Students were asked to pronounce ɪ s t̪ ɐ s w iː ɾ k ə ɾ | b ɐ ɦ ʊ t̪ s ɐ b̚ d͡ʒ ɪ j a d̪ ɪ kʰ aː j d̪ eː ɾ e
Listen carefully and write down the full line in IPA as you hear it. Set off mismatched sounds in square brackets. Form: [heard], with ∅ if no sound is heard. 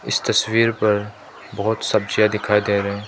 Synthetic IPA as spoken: ɪ s t̪ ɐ s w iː ɾ [p] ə ɾ | b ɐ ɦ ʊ t̪ s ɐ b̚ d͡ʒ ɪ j a d̪ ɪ kʰ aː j d̪ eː ɾ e